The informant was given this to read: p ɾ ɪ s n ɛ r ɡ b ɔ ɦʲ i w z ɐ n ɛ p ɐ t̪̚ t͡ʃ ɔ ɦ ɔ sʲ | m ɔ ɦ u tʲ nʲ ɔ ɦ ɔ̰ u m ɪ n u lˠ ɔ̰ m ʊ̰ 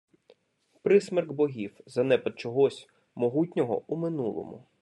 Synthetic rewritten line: p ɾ ɪ s m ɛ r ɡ b ɔ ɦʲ i w z ɐ n ɛ p ɐ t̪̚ t͡ʃ ɔ ɦ ɔ sʲ | m ɔ ɦ u tʲ nʲ ɔ ɦ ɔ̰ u m ɪ n u lˠ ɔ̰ m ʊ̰